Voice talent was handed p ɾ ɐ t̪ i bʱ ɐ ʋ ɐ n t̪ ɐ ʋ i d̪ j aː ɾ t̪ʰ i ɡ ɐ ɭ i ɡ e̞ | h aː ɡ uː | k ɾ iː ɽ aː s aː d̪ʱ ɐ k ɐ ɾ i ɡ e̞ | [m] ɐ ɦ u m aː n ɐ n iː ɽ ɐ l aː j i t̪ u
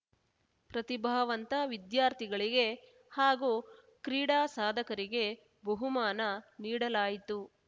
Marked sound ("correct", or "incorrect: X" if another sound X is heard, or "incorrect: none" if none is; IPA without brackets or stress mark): incorrect: b